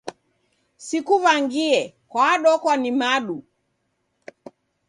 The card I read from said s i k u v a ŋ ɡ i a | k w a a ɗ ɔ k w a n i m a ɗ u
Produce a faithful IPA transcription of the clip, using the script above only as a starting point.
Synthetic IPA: s i k u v a ŋ ɡ i ɛ | k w a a ɗ ɔ k w a n i m a ɗ u